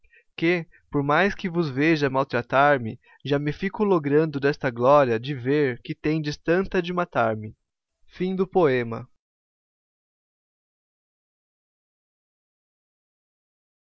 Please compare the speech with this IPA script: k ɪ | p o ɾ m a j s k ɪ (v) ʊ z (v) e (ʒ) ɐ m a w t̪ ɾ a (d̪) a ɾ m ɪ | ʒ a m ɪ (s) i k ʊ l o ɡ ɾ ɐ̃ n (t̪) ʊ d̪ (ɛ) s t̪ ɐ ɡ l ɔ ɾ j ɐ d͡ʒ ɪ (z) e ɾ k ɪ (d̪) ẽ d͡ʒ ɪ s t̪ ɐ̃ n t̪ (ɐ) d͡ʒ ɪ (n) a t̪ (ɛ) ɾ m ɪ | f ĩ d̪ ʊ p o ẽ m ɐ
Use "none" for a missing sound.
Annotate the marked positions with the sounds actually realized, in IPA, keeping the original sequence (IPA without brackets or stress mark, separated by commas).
v, v, ʒ, t̪, f, d̪, ɛ, v, t̪, ɐ, m, a